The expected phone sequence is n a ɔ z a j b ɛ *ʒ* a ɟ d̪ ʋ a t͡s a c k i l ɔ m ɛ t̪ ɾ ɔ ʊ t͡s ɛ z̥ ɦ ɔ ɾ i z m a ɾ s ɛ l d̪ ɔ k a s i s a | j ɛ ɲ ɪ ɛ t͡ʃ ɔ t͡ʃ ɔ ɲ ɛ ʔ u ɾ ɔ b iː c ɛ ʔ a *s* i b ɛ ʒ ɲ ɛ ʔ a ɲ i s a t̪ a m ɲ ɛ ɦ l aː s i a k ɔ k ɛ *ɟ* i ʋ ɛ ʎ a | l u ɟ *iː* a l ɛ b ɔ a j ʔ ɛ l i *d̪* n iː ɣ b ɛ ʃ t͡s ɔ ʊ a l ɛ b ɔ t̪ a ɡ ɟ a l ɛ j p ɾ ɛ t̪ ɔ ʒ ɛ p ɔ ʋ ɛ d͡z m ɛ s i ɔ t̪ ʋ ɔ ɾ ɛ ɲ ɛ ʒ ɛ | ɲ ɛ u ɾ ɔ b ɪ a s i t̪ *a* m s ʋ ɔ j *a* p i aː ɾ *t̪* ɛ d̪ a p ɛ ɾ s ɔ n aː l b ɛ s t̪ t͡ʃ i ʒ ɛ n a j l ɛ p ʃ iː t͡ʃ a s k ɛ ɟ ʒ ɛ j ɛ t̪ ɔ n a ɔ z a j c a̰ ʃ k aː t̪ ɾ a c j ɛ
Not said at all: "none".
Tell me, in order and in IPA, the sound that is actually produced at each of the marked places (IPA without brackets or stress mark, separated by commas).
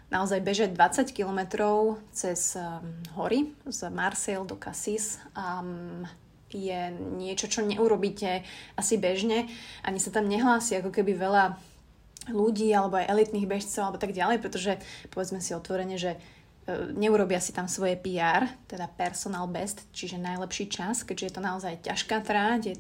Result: ʒ, s, b, iː, t̪, a, ɛ, t̪